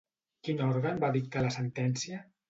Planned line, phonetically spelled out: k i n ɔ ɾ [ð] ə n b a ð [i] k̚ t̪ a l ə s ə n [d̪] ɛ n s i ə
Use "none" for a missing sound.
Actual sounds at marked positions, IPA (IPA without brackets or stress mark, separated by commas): ɣ, i, t̪